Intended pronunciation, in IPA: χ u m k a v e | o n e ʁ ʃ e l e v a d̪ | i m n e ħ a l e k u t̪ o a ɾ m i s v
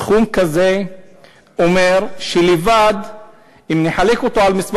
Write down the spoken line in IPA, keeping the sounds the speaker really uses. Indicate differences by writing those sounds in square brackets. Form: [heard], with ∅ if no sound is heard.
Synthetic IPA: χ u m k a [z] e | o [m] e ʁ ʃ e l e v a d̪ | i m n e ħ a l e k [o] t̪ o a [l] m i s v